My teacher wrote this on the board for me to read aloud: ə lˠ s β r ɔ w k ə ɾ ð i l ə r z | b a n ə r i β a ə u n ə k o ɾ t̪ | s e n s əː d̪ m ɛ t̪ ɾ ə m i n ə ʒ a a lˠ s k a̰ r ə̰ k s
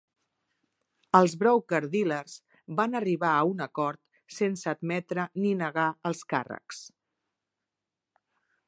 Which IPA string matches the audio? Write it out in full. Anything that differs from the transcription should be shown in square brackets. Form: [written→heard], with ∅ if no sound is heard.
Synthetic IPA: ə lˠ [s→z] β [r→ɾ] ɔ w k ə ɾ ð i l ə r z | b a n ə r i β a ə u n ə k [o→ɔ] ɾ t̪ | s e n s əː d̪ m ɛ t̪ ɾ ə [m→n] i n ə [ʒ→ɣ] a [a→ə] lˠ s k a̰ r ə̰ k s